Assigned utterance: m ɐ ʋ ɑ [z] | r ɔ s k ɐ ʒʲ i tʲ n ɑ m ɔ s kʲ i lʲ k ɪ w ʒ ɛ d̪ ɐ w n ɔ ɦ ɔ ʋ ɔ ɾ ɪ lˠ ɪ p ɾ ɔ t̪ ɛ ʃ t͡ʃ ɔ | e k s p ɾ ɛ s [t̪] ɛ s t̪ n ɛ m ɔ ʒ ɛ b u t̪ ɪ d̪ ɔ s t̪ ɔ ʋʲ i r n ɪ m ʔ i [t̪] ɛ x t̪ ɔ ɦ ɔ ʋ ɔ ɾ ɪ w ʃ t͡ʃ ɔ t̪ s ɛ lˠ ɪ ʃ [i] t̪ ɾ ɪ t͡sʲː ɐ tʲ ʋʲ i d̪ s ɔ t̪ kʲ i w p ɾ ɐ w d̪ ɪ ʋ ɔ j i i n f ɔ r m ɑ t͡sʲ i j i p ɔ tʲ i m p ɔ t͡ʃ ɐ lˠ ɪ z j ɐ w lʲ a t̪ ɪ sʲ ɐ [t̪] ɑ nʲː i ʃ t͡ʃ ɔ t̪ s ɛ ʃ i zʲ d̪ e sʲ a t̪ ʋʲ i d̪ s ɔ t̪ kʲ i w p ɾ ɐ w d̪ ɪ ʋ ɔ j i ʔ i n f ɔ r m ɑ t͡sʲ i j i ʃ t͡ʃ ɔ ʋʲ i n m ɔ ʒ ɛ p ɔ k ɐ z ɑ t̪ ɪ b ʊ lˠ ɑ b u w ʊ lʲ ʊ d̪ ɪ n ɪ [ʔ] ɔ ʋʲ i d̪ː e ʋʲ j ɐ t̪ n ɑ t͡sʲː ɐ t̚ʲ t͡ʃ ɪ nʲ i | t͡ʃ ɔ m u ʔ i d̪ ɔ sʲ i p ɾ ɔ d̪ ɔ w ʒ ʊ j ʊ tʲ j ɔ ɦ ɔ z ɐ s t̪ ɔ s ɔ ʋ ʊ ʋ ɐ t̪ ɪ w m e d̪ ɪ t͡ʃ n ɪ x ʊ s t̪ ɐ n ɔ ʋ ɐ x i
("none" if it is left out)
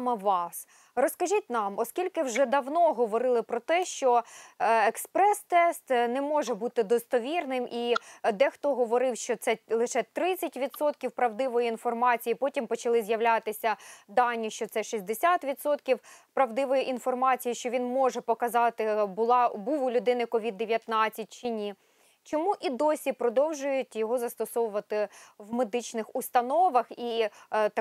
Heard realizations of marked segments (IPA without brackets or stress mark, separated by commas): s, t̪, d̪, ɛ, d̪, k